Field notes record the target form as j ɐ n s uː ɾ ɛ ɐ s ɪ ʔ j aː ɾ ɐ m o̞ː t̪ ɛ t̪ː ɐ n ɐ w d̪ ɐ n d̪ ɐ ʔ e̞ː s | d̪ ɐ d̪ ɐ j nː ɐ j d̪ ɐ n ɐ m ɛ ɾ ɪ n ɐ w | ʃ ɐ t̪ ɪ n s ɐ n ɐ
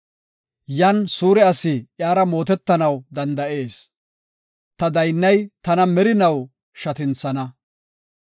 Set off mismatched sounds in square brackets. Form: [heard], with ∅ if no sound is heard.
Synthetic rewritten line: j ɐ n s uː ɾ ɛ ɐ s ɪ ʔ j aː ɾ ɐ m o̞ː t̪ ɛ t̪ː ɐ n ɐ w d̪ ɐ n d̪ ɐ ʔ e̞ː s | [t̪] ɐ d̪ ɐ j nː ɐ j [t̪] ɐ n ɐ m ɛ ɾ ɪ n ɐ w | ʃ ɐ t̪ ɪ n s ɐ n ɐ